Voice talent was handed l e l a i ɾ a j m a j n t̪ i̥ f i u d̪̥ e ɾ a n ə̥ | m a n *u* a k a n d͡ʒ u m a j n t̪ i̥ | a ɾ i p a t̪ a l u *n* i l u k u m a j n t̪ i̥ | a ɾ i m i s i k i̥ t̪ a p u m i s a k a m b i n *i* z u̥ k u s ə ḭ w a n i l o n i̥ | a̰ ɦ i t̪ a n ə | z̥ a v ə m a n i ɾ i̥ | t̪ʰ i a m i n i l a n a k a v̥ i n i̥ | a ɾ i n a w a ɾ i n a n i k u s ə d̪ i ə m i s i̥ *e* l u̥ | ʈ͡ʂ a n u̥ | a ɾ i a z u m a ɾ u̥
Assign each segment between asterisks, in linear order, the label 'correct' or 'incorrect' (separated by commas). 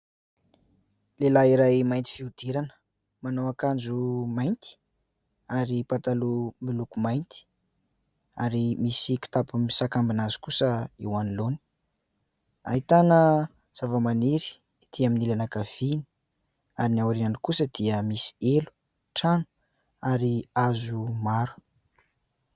incorrect, incorrect, incorrect, correct